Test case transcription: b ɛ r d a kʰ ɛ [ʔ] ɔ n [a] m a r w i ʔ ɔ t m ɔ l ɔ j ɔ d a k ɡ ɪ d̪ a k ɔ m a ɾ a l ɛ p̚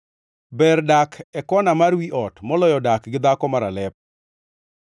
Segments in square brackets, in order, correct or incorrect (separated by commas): incorrect, correct